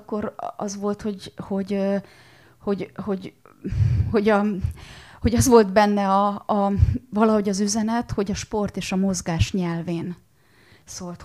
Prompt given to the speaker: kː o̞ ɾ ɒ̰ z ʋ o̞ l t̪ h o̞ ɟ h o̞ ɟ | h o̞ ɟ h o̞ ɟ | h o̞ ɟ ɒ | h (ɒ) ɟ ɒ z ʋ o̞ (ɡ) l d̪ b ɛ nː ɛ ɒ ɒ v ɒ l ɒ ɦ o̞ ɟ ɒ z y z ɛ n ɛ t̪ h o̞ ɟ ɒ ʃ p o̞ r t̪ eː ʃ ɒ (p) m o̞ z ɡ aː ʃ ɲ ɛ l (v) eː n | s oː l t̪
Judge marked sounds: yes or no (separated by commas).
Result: no, no, no, yes